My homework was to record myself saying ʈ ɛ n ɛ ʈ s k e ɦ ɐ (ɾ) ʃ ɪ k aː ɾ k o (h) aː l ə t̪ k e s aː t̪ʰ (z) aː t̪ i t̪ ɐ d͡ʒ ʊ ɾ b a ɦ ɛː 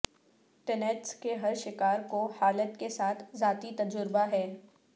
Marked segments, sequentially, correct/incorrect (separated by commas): correct, correct, correct